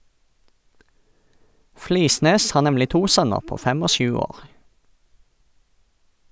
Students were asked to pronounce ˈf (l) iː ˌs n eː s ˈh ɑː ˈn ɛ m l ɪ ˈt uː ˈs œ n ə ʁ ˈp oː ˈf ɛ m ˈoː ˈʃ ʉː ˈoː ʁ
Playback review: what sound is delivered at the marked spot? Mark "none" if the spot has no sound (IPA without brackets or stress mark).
l